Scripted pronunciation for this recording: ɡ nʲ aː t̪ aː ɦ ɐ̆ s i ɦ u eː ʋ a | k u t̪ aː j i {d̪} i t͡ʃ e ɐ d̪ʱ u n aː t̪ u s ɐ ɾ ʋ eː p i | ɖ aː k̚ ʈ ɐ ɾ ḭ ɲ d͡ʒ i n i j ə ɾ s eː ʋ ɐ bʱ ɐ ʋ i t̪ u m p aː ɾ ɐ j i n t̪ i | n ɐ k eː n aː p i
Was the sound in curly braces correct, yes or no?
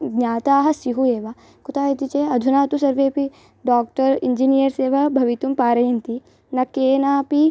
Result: no